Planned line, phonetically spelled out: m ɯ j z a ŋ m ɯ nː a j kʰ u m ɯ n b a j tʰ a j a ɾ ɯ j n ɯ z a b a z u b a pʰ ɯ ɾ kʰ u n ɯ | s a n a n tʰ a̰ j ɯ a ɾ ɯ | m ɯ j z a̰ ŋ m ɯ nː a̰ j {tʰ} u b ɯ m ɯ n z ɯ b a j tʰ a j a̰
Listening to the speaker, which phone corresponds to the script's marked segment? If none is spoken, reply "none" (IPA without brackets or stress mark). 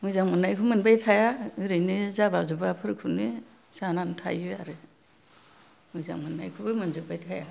kʰ